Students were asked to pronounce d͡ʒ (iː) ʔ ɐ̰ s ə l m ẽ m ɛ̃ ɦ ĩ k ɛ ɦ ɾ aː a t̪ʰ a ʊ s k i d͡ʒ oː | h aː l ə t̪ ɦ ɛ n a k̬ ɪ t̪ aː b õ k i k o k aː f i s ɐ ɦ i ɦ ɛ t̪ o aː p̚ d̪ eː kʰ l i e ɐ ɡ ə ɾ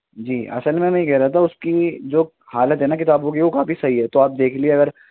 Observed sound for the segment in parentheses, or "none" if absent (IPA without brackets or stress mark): iː